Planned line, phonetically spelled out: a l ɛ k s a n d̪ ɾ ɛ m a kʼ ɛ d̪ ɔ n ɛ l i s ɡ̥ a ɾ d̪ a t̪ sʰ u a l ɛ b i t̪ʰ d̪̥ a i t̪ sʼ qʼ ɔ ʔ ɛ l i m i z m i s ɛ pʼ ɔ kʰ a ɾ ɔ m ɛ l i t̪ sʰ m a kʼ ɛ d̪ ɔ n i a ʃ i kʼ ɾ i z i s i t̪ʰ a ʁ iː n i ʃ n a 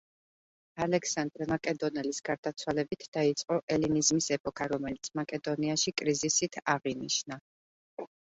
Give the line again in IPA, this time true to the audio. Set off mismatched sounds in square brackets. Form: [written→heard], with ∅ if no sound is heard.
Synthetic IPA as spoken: a l ɛ k s a n d̪ ɾ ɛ m a kʼ ɛ d̪ ɔ n ɛ l i s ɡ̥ a ɾ d̪ a t̪ sʰ [u→w] a l ɛ b i t̪ʰ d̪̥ a i t̪ sʼ qʼ ɔ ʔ ɛ l i [m→n] i z m i s ɛ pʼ ɔ kʰ a ɾ ɔ m ɛ l i t̪ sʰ m a kʼ ɛ d̪ ɔ n i a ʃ i kʼ ɾ i z i s i t̪ʰ a ʁ [iː→i] n i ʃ n a